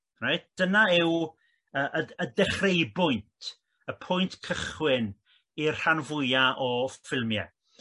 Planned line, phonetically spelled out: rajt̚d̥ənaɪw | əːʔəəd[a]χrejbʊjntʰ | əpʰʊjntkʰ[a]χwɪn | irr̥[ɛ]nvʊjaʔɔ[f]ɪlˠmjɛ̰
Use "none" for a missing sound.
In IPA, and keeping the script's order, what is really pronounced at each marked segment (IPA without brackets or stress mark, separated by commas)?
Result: ɛ, ə, a, f